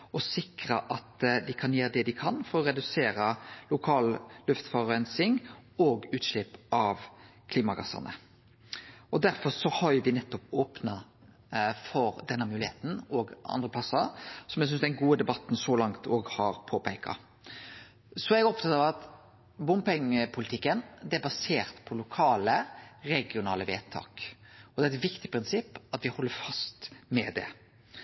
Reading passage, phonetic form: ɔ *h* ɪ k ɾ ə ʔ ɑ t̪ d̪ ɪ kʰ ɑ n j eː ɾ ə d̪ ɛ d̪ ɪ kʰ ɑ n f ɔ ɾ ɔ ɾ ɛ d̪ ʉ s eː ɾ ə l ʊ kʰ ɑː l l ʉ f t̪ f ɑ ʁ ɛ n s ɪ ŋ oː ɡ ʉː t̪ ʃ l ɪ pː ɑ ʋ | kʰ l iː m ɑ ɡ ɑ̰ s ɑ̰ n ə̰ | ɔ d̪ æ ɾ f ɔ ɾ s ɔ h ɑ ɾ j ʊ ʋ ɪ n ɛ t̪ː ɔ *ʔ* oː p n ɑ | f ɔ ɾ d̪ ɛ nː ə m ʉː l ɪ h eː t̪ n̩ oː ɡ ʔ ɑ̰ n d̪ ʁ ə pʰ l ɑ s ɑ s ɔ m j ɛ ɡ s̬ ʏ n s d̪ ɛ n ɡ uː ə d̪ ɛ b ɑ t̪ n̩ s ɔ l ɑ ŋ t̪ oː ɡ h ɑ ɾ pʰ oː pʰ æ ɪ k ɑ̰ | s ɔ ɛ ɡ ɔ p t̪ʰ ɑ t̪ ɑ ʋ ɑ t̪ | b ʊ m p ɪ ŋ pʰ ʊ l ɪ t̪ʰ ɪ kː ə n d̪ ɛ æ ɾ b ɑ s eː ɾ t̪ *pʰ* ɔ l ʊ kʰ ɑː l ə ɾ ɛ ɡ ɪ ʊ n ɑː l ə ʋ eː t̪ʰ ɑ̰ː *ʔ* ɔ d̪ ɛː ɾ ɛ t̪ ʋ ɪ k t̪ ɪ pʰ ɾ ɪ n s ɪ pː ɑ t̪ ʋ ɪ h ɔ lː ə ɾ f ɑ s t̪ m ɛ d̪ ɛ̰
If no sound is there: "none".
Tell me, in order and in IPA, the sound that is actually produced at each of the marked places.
s, p, pʰ, k

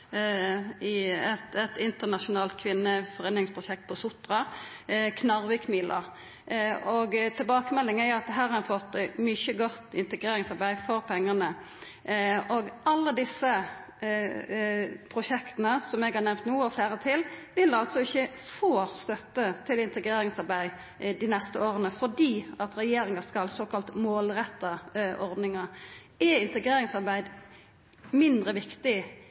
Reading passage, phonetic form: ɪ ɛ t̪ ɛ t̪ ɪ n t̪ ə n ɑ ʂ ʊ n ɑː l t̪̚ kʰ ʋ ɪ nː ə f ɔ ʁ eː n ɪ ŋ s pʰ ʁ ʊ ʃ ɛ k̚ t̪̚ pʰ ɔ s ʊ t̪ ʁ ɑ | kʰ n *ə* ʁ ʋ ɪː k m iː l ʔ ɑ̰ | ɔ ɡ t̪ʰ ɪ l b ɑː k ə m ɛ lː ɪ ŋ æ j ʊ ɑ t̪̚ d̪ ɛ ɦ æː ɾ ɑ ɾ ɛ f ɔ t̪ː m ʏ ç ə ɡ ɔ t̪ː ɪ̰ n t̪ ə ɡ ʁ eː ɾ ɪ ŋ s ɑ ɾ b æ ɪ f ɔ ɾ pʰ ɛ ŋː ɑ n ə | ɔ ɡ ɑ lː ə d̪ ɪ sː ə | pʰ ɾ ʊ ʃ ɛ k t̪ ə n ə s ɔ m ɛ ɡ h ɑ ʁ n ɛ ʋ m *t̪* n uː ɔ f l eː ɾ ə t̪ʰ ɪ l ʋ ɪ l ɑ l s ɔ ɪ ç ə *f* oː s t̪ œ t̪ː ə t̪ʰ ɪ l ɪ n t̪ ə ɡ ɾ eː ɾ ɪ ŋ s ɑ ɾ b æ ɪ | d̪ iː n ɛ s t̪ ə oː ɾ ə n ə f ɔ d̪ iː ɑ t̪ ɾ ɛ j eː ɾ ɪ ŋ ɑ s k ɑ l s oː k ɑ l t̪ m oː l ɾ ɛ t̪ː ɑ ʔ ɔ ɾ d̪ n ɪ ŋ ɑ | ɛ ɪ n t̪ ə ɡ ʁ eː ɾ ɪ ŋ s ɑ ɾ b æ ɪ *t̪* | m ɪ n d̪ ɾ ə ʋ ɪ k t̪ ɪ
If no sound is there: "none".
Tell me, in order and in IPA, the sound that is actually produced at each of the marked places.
ɑ, t̪, f, d̪

